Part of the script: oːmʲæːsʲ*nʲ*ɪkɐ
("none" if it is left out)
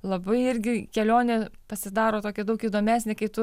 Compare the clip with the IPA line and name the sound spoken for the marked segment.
nʲ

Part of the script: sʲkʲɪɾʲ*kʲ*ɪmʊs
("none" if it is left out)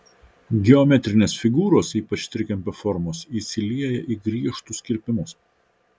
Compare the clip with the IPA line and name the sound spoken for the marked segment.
pʲ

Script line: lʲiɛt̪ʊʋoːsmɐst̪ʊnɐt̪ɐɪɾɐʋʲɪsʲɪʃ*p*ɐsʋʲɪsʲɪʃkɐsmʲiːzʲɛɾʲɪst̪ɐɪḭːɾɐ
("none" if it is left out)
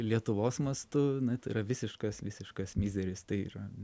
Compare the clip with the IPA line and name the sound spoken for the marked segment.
k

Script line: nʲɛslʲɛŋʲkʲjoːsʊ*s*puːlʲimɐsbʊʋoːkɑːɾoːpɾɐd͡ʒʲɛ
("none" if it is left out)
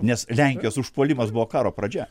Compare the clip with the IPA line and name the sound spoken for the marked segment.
ʃ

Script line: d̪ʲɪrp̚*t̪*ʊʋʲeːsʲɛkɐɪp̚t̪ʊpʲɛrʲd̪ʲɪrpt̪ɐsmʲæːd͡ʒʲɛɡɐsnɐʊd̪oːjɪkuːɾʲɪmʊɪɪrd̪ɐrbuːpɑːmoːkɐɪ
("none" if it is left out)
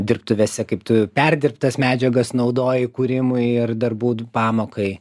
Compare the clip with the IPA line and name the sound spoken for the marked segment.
t̪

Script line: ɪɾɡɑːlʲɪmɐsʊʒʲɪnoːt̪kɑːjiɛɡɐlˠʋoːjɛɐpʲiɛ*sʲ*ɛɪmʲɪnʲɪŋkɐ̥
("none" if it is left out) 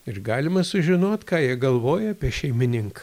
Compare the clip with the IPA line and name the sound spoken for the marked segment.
ʃʲ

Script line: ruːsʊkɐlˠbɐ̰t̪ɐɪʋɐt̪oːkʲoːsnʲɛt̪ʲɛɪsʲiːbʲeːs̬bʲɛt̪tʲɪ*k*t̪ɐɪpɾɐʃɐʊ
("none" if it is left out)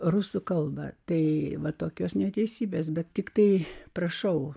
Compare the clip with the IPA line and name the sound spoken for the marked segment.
k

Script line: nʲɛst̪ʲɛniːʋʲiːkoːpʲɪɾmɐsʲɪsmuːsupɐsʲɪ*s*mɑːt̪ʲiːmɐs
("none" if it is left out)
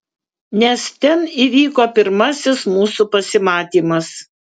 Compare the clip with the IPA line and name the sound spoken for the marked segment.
none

